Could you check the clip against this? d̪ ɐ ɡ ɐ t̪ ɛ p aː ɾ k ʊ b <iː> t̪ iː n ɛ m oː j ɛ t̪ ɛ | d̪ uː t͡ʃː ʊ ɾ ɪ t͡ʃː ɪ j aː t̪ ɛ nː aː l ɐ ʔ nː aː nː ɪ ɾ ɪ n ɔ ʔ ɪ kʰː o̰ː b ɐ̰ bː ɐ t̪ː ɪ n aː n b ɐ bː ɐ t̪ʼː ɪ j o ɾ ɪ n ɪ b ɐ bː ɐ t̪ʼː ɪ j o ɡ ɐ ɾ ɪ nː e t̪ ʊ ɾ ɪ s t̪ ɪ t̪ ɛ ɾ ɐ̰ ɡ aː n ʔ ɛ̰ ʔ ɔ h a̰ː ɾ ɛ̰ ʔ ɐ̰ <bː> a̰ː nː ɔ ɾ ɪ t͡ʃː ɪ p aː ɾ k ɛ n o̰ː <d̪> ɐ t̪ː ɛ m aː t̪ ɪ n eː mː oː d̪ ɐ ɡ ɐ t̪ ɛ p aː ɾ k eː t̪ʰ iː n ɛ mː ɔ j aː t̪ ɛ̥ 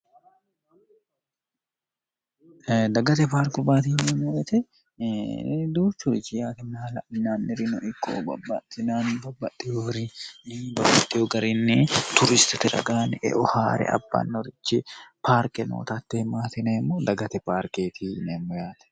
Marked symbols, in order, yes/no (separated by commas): no, yes, no